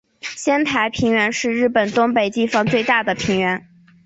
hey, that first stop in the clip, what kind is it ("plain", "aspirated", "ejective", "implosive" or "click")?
aspirated